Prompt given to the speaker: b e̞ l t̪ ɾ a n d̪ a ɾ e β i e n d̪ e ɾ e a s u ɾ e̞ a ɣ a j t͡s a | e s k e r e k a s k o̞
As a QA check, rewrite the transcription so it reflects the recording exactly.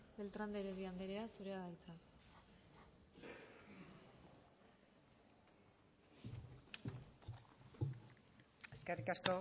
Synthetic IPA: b e̞ l t̪ ɾ a n d̪ e ɾ e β i a n d̪ e ɾ e a s u ɾ e̞ a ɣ a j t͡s a | e s k e r i k a s k o̞